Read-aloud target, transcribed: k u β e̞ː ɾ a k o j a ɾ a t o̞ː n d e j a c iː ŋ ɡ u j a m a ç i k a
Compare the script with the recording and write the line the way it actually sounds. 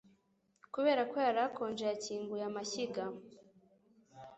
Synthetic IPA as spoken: k u β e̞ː ɾ a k o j a ɾ a k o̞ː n d͡ʒ e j a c iː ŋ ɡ u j a m a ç i ɡ a